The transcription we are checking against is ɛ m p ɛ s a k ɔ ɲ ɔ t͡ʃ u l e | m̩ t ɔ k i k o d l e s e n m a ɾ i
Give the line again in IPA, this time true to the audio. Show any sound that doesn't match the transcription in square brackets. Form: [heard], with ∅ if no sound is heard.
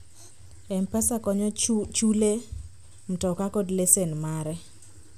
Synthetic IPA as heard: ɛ m p ɛ s a k ɔ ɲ ɔ t͡ʃ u l e | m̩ t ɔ k [a] k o d l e s e n m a ɾ [ɛ]